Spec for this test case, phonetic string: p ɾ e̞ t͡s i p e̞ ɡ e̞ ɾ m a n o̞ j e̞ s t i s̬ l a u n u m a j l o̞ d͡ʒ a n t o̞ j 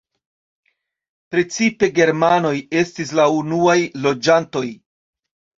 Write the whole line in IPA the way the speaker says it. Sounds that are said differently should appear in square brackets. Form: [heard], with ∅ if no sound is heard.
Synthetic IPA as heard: p ɾ e̞ t͡s i p e̞ ɡ e̞ ɾ m a n o̞ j e̞ s t i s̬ l a u n u [∅] a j l o̞ d͡ʒ a n t o̞ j